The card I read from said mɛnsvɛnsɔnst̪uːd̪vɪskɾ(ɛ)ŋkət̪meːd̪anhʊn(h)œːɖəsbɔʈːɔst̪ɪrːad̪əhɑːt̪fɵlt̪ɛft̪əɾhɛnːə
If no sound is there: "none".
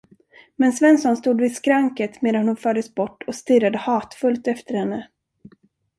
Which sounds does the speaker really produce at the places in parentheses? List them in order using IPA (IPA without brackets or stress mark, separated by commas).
a, f